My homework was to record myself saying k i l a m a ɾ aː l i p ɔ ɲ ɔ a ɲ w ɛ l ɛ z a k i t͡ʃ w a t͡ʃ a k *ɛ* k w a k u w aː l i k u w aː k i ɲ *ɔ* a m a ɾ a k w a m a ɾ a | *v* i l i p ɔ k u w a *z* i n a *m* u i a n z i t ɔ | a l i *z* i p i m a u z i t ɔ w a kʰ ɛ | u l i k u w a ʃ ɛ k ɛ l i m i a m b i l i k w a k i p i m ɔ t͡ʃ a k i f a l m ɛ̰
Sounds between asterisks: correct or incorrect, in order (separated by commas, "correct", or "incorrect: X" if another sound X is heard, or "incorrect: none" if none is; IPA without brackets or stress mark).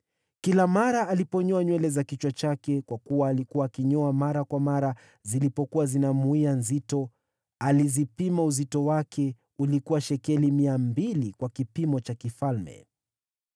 correct, correct, incorrect: z, correct, correct, correct